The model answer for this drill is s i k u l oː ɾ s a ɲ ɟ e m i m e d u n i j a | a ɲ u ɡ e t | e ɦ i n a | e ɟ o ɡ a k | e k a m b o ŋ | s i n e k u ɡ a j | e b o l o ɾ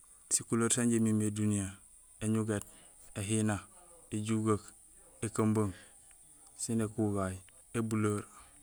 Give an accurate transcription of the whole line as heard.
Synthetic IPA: s i k u l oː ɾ s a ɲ ɟ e m i m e d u n i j a | e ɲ u ɡ e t | e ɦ i n a | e ɟ u ɡ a k | e k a m b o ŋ | s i n e k u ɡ a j | e b u l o ɾ